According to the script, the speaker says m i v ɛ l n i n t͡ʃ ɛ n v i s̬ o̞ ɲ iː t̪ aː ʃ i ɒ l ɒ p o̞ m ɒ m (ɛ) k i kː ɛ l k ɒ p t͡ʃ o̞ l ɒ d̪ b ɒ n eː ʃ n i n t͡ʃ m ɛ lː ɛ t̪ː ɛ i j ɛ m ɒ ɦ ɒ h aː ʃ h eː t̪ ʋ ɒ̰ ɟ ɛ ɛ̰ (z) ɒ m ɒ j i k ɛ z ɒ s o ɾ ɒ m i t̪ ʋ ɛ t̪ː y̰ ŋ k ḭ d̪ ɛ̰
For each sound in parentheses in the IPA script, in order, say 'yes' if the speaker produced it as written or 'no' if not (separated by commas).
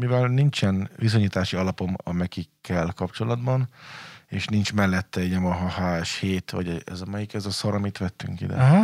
yes, yes